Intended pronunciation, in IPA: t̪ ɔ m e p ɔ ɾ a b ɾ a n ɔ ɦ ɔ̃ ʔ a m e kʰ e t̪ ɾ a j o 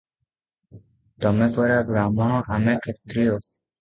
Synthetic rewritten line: t̪ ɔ m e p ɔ ɾ a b ɾ a m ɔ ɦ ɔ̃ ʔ a m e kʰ e t̪ ɾ i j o